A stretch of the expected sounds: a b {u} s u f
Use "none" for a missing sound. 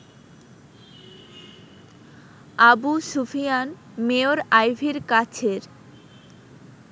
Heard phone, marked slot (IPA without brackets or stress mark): u